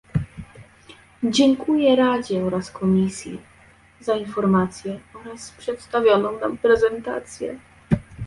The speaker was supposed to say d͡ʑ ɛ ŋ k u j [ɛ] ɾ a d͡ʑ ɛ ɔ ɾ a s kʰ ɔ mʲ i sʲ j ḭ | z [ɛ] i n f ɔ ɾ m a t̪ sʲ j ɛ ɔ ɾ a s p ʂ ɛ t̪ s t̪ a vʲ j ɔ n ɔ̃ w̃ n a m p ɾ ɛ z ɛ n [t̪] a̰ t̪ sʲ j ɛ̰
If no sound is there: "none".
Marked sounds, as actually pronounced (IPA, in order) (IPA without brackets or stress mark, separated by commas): ɛ, a, t̪